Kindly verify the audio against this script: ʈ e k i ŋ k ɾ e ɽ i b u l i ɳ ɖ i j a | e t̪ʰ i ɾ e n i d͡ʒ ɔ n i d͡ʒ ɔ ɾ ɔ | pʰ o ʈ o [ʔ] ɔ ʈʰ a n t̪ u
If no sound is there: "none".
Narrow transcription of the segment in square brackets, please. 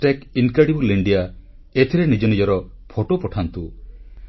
p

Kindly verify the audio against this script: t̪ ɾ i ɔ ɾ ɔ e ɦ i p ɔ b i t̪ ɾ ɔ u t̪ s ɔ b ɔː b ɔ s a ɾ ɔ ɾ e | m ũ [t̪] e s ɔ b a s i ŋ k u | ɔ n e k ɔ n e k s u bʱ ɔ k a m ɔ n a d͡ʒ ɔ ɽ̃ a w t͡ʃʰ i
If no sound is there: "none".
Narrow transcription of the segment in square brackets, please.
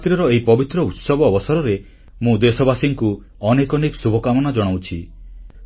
d̪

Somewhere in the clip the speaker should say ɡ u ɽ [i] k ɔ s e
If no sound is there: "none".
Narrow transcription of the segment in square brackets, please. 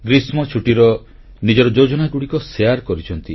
i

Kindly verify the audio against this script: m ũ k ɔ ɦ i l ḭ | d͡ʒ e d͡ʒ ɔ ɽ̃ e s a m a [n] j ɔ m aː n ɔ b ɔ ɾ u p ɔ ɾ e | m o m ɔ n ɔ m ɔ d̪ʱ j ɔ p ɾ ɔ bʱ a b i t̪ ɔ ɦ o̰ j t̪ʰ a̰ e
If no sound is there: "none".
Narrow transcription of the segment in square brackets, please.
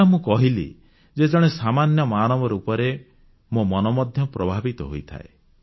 n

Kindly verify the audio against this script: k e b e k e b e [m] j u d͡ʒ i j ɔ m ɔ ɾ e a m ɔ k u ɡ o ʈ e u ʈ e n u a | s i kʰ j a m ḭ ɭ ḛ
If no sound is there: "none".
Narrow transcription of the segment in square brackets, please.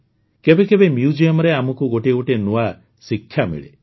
m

